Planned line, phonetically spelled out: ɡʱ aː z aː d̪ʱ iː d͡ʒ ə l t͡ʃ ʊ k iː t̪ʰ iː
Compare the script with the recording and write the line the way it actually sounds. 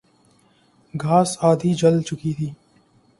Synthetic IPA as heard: ɡʱ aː s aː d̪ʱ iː d͡ʒ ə l t͡ʃ ʊ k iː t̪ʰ iː